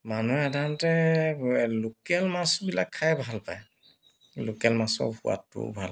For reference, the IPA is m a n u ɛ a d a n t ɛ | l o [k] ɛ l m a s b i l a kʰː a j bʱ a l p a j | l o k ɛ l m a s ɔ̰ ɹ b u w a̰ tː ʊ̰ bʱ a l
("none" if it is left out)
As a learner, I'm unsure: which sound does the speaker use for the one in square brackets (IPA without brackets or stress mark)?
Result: k